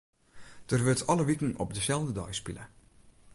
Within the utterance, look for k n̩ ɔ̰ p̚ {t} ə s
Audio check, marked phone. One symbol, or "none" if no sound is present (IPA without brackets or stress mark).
d